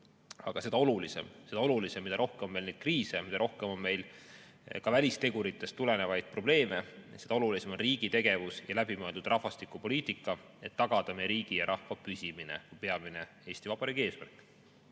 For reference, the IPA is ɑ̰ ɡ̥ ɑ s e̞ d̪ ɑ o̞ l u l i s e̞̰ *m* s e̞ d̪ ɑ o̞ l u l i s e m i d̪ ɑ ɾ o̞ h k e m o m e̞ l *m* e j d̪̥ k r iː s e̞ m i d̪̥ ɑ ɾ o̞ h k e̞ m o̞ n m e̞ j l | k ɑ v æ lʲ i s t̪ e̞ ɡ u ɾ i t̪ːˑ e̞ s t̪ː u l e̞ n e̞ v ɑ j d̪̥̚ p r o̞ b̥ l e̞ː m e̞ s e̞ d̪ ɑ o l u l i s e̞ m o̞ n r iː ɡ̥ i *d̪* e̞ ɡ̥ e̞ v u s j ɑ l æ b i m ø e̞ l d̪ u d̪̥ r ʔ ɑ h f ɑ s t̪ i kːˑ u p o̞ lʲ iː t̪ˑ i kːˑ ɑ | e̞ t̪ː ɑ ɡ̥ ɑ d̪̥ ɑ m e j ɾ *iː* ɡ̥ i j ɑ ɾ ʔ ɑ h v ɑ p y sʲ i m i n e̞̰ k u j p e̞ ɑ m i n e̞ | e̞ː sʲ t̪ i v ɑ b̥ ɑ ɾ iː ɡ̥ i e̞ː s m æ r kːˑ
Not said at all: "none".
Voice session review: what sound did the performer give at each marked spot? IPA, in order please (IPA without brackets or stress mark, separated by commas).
m, n, t̪, iː